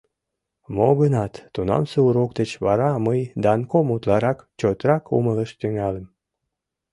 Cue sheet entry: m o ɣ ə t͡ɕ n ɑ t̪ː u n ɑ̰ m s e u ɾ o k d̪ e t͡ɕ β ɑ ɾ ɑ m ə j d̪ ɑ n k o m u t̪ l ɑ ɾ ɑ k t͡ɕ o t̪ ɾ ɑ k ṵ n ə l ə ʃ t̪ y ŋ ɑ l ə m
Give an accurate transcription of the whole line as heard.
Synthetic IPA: m o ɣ ə n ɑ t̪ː u n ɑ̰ m s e u ɾ o k d̪ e t͡ɕ β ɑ ɾ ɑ m ə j d̪ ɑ n k o m u t̪ l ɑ ɾ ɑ k t͡ɕ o t̪ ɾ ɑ k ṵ m ə l ə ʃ t̪ y ŋ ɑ l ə m